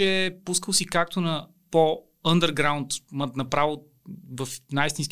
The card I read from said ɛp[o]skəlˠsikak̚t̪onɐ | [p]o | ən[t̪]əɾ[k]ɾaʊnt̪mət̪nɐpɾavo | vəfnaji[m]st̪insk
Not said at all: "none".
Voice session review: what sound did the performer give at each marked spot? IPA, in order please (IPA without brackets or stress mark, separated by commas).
u, p, d̪, ɡ, none